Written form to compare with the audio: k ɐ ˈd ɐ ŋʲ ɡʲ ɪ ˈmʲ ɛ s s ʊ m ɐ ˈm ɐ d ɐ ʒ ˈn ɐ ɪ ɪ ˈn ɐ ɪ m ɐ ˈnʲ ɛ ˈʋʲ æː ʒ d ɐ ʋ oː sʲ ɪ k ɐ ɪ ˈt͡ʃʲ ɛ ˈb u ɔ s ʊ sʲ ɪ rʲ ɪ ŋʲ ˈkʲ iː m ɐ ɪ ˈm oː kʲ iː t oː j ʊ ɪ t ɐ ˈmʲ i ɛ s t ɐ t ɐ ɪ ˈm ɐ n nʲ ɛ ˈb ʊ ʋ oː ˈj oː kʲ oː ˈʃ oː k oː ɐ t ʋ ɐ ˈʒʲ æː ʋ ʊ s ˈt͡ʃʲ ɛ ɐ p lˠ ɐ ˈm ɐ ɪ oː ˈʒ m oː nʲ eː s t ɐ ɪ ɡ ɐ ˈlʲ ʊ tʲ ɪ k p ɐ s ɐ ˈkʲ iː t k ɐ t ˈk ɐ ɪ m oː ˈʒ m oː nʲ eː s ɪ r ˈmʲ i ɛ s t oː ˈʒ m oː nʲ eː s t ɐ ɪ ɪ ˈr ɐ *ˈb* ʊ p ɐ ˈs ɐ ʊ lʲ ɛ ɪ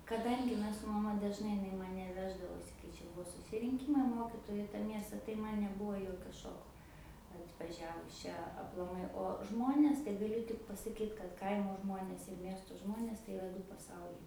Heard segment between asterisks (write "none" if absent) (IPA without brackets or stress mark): d